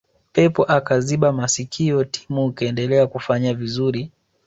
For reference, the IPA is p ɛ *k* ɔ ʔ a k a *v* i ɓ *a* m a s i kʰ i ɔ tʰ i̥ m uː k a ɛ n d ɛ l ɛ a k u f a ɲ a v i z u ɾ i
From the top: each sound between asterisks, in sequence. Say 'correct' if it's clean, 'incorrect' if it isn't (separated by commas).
incorrect, incorrect, correct